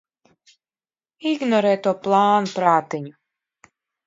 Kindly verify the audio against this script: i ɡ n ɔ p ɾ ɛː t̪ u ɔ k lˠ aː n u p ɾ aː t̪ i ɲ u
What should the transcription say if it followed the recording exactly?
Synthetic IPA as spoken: i ɡ n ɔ ɾ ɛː t̪ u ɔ p lˠ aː n u p ɾ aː t̪ i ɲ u